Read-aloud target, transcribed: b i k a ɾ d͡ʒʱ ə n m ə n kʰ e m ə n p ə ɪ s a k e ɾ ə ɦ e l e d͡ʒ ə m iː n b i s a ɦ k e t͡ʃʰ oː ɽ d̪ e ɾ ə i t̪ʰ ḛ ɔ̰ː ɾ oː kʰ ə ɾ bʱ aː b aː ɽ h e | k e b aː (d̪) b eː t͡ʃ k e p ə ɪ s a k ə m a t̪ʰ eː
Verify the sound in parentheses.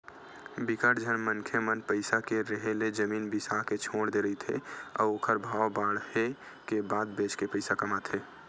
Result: correct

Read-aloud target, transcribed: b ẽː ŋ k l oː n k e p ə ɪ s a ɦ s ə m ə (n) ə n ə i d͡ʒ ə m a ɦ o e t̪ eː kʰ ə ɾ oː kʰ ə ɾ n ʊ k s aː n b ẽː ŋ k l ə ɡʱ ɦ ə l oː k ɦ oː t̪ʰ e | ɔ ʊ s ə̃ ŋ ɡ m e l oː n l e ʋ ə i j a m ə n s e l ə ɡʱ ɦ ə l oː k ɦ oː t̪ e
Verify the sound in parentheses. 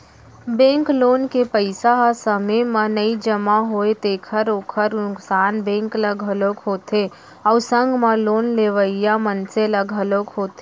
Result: incorrect: m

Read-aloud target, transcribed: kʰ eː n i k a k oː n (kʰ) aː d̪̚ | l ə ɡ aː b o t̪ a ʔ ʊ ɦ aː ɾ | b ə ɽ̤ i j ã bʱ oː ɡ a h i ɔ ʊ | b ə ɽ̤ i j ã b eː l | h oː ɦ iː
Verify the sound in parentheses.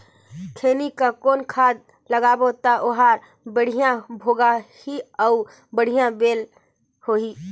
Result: correct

